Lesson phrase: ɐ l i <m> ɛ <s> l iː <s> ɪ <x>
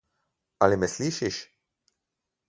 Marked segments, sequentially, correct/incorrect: correct, correct, incorrect: ʃ, incorrect: ʃ

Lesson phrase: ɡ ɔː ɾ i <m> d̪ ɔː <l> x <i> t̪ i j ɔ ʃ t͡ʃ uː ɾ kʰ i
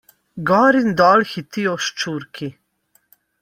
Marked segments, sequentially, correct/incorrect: incorrect: n, correct, correct

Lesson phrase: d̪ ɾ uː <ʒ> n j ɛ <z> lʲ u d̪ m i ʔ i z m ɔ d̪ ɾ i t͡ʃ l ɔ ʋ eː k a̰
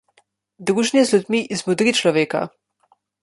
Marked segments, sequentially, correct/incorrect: correct, correct

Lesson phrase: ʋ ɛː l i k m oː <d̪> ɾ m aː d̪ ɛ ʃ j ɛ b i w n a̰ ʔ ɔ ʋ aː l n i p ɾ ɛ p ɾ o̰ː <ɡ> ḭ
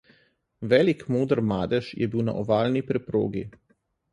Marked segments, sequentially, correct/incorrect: correct, correct

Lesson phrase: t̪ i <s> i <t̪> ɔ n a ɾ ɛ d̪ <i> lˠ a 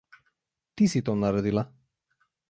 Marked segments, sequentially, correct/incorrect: correct, correct, correct

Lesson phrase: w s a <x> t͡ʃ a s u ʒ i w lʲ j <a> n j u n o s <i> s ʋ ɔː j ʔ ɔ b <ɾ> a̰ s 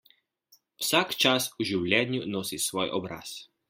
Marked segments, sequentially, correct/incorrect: incorrect: k, incorrect: ɛ, correct, correct

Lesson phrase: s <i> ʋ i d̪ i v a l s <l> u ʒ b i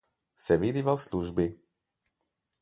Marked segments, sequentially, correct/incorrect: incorrect: ɛ, correct

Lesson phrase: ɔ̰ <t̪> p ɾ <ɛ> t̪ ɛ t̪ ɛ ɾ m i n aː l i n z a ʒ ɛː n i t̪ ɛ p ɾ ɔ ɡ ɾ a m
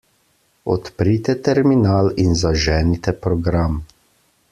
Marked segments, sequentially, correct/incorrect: correct, incorrect: i

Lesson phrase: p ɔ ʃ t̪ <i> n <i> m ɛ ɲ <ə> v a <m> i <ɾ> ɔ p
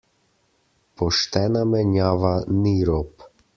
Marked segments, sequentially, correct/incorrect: incorrect: ɛ, incorrect: a, incorrect: a, incorrect: n, correct

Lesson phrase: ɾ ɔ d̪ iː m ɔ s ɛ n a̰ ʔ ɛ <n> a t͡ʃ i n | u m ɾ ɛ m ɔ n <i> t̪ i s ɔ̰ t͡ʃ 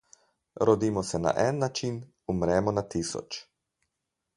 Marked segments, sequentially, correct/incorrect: incorrect: nː, incorrect: a

